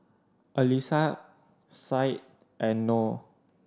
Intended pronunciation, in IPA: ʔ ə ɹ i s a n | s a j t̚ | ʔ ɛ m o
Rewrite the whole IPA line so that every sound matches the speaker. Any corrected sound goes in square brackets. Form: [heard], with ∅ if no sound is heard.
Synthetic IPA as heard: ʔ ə [l] i s a [∅] | s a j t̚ | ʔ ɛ [n] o